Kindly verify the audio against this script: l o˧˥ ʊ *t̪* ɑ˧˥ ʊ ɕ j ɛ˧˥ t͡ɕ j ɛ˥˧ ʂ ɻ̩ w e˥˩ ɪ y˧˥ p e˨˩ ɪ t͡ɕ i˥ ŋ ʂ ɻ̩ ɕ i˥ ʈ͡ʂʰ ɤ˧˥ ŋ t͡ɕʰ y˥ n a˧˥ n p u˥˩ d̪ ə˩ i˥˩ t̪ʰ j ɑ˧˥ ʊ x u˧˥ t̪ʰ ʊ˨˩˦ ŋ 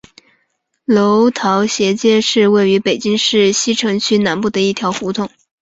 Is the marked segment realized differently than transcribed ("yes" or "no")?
yes